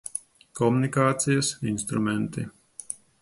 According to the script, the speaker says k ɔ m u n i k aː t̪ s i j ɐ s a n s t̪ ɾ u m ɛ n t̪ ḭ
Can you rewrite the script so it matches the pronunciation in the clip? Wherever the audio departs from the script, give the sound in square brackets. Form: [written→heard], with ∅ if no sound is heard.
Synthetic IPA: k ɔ m u n i k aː t̪ s i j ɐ s [a→i] n s t̪ ɾ u m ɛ n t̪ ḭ